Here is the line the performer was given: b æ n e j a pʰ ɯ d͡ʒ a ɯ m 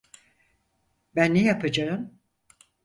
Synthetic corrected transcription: b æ nː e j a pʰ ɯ d͡ʒ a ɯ m